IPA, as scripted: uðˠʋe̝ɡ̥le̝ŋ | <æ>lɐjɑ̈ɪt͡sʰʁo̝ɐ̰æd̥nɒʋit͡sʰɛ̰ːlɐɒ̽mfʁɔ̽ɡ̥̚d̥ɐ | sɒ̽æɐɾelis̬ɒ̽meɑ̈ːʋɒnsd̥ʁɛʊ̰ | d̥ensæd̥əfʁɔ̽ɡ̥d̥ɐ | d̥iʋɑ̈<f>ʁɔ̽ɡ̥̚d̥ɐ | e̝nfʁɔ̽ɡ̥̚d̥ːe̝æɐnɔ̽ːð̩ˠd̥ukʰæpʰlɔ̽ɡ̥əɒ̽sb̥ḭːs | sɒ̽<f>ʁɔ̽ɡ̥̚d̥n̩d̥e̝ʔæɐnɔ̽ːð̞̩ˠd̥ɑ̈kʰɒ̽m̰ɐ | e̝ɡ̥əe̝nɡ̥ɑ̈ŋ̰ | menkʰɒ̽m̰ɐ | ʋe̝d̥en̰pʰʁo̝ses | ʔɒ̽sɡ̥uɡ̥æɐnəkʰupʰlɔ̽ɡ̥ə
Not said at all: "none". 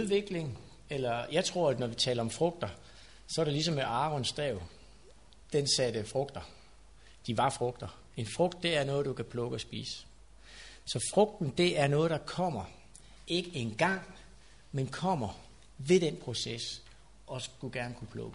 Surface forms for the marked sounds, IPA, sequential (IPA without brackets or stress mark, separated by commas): e, f, f